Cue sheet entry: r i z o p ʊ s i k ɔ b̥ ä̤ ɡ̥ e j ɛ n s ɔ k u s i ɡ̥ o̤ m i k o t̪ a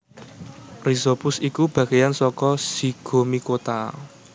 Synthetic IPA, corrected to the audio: r i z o p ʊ s i k u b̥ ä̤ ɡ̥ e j a n s ɔ k ɔ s i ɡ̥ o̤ m i k o t̪ a